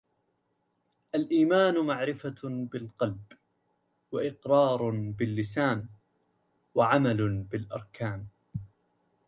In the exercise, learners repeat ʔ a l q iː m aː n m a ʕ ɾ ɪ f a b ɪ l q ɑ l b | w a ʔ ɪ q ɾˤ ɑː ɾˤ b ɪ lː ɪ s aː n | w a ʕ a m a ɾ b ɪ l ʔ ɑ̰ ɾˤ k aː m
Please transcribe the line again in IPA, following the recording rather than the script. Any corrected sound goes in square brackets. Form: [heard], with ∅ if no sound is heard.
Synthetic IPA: ʔ a l [ʔ] iː m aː n m a ʕ ɾ ɪ f a b ɪ l q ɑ l b | w a ʔ ɪ q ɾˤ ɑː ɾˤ b ɪ lː ɪ s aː n | w a ʕ a m a [l] b ɪ l ʔ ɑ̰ ɾˤ k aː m